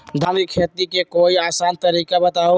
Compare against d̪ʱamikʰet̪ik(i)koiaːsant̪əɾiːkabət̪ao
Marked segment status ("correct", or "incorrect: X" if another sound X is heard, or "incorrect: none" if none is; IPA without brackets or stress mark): incorrect: e